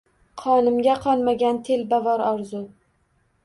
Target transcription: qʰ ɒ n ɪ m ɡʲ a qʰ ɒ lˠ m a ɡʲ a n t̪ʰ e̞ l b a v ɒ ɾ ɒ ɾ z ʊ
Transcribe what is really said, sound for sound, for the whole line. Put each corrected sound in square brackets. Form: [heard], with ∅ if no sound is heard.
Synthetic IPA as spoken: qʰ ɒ n ɪ m ɡʲ a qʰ ɒ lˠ m a ɡʲ a n t̪ʰ e̞ l b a v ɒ ɾ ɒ ɾ z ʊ